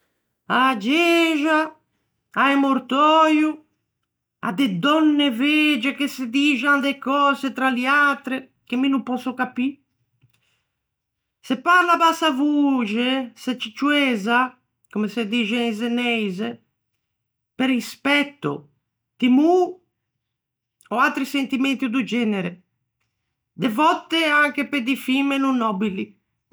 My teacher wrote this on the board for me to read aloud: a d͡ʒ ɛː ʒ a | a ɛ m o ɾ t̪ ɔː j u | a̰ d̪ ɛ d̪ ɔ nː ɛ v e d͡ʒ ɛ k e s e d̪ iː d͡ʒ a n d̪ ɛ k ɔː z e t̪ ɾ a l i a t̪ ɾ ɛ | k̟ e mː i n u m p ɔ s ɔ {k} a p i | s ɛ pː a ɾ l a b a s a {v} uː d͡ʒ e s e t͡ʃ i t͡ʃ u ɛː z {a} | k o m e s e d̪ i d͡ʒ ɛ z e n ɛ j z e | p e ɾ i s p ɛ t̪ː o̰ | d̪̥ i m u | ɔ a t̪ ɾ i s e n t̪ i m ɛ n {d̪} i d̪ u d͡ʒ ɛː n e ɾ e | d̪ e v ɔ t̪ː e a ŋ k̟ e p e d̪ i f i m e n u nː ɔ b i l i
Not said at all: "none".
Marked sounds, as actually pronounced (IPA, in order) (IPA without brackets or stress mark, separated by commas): k, v, a, t̪